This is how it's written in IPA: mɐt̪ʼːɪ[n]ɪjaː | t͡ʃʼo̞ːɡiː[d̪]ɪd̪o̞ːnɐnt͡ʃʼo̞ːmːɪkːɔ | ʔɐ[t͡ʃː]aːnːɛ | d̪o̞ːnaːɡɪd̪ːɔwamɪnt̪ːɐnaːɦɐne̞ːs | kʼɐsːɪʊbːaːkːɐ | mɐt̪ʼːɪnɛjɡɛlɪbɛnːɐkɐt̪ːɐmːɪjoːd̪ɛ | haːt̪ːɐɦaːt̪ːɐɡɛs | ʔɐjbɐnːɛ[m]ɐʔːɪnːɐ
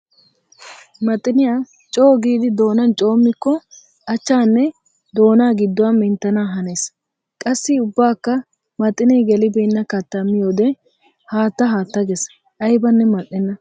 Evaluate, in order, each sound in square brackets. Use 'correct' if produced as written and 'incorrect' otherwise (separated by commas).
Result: correct, correct, correct, correct